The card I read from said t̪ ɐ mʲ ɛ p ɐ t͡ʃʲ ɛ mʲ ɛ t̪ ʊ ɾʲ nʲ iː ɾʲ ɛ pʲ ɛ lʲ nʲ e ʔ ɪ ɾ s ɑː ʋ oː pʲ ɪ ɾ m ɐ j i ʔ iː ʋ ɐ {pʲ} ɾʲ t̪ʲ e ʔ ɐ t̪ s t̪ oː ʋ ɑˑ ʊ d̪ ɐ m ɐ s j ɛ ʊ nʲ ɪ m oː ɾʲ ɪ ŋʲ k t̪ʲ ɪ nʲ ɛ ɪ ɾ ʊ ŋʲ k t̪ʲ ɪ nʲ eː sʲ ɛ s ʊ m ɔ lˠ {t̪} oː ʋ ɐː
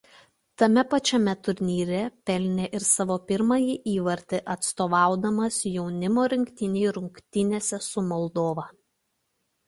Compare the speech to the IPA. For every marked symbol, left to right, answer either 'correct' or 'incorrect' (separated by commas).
incorrect, incorrect